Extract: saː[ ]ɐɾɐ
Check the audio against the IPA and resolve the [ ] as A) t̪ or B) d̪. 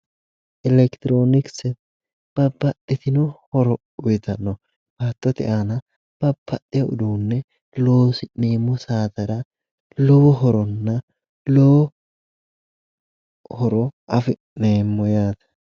A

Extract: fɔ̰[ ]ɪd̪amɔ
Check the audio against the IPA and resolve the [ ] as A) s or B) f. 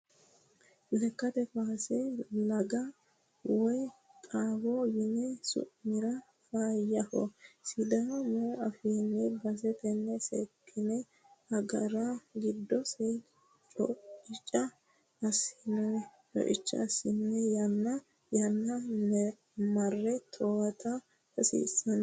A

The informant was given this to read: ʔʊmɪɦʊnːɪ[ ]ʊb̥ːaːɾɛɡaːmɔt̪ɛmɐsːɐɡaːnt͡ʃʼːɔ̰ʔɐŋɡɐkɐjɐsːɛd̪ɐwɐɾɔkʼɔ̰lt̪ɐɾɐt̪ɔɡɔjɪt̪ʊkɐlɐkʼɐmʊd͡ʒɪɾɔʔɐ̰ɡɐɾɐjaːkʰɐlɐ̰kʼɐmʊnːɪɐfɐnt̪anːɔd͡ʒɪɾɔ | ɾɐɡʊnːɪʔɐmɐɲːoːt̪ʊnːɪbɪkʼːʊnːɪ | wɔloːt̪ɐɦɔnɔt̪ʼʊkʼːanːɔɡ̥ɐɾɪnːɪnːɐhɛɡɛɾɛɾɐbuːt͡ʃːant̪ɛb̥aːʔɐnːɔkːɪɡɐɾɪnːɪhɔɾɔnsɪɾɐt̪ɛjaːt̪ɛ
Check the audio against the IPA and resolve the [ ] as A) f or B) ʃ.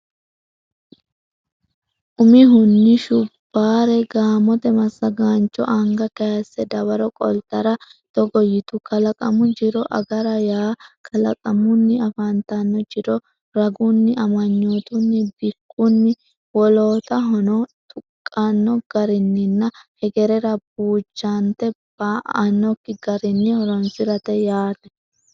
B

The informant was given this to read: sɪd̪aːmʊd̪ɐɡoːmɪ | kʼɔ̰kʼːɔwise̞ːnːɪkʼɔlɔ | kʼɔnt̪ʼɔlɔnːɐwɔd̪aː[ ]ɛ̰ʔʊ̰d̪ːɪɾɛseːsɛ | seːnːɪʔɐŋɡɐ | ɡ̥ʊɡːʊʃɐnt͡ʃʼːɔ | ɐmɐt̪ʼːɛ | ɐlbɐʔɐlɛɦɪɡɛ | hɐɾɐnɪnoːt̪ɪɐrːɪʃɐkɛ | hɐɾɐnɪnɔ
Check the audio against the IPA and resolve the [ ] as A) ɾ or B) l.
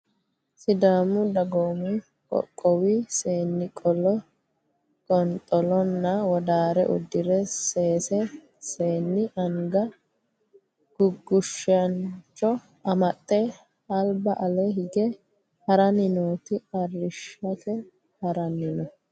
A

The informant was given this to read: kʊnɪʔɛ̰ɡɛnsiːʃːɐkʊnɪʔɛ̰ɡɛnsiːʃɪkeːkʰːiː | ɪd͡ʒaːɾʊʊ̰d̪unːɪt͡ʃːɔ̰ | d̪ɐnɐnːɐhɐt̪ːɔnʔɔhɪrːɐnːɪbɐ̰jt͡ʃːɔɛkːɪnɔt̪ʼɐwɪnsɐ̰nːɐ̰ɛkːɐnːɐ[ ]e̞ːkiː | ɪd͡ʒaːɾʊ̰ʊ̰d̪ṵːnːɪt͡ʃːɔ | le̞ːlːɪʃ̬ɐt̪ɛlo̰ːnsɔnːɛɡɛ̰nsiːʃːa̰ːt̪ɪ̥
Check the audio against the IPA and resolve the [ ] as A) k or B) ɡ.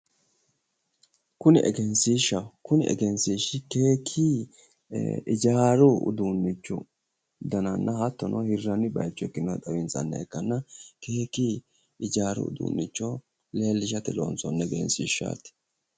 A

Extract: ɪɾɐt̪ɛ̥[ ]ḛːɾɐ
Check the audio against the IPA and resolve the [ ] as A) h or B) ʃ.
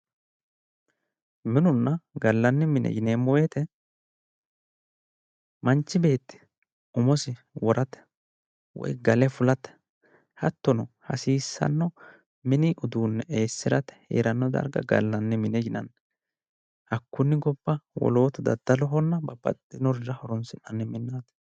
A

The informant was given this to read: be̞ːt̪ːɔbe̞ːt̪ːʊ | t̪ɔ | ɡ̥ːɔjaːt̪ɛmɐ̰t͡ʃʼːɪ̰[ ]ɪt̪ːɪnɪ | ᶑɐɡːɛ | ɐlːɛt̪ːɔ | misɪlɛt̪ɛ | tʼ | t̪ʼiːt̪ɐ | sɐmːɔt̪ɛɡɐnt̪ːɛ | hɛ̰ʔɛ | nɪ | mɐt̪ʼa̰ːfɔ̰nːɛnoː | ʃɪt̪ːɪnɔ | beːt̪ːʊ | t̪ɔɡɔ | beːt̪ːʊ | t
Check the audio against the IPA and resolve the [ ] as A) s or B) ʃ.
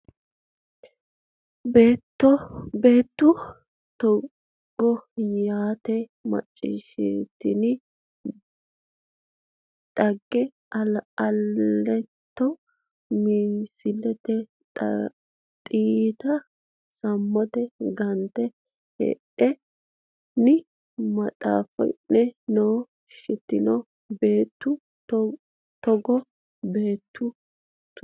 B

